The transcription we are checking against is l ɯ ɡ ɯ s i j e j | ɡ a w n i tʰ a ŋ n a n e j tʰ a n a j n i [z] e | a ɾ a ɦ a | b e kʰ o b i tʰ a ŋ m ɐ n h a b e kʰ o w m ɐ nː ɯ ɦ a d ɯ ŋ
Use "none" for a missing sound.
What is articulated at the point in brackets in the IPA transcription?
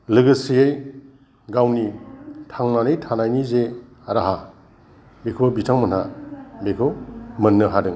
z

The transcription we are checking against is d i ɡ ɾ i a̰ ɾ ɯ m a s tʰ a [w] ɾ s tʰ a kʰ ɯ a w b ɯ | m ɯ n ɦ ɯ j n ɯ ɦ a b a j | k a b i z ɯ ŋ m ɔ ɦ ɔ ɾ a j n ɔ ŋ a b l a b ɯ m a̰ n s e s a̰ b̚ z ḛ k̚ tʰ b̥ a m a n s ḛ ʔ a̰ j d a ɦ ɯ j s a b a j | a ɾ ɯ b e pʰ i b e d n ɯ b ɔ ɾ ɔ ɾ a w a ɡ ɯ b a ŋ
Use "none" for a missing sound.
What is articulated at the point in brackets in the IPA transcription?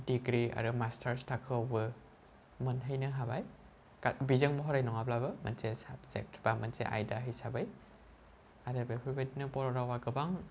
none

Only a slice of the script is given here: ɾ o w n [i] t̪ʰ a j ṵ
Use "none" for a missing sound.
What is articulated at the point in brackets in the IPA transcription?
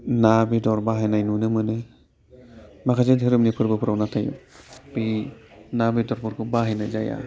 a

